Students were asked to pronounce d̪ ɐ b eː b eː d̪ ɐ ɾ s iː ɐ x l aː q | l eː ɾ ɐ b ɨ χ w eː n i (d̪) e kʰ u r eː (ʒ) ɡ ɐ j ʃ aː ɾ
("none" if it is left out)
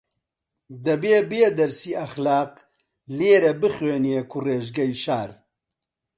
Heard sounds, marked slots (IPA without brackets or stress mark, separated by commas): none, ʒ